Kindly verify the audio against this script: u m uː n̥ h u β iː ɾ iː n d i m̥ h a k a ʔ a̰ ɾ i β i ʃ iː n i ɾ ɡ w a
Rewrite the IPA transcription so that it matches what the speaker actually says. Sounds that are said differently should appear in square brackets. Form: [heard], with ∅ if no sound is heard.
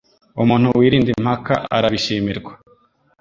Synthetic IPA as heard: u m uː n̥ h u [w] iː ɾ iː n d i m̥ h a k a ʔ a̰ ɾ [a] β i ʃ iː [m] i ɾ ɡ w a